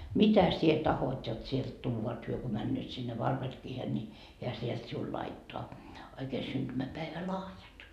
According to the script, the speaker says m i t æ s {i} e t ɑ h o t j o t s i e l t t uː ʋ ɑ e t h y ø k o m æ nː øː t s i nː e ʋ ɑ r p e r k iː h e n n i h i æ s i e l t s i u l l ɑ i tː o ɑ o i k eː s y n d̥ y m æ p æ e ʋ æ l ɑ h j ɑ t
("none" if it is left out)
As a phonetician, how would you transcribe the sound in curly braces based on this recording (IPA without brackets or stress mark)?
i